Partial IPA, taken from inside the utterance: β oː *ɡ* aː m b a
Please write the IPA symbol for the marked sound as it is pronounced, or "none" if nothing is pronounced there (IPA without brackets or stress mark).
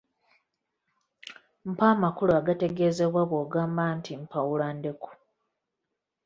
ɡ